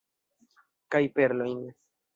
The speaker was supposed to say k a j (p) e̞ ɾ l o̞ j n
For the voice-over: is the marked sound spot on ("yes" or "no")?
yes